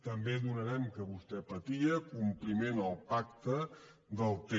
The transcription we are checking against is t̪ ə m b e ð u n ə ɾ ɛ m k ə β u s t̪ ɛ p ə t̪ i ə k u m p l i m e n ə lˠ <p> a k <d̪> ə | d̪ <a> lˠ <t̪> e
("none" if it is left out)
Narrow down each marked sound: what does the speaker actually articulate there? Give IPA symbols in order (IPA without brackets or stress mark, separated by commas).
p, t̪, ə, t̪